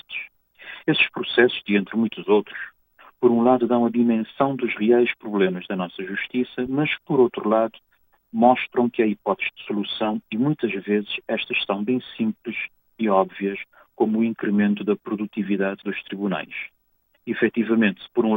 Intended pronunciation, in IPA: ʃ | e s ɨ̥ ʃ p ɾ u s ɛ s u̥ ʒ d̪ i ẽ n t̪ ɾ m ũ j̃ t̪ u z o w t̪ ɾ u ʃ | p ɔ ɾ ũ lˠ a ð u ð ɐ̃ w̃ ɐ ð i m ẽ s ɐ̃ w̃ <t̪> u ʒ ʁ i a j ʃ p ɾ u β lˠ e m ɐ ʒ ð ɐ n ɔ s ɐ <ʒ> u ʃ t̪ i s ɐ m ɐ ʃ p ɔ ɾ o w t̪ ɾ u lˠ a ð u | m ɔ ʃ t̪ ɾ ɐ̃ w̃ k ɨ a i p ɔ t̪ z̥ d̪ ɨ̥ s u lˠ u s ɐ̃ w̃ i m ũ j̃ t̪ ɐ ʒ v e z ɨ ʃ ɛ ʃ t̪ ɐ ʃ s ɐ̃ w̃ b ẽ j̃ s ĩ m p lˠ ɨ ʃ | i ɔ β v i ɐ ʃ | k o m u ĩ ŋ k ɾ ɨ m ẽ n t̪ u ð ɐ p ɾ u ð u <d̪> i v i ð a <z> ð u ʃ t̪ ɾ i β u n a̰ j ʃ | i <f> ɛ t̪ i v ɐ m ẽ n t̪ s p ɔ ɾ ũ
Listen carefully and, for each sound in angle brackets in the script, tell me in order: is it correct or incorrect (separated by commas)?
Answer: incorrect, correct, incorrect, incorrect, correct